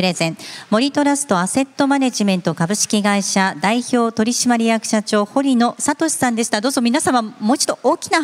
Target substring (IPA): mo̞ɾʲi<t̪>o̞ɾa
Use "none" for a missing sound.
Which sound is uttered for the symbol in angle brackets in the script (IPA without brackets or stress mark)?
t̪